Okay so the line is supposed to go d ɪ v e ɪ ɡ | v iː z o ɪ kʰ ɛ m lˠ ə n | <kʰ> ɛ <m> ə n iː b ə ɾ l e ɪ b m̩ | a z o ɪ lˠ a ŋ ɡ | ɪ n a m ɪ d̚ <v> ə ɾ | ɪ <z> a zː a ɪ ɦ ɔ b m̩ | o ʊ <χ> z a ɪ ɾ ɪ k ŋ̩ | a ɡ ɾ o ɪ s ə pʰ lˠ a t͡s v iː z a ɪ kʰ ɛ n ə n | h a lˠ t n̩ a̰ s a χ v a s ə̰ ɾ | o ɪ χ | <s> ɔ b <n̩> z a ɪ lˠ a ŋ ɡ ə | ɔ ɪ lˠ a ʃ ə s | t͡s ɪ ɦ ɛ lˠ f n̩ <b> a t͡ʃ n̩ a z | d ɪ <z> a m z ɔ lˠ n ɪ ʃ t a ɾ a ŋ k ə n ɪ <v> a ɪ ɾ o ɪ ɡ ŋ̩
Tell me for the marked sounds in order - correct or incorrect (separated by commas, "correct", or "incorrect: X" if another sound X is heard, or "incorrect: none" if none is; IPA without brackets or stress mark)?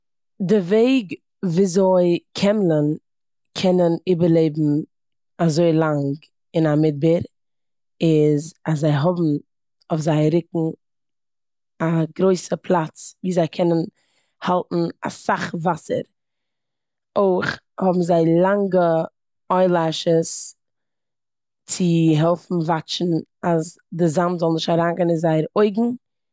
correct, incorrect: n, incorrect: b, correct, incorrect: f, incorrect: h, incorrect: m̩, incorrect: v, correct, incorrect: z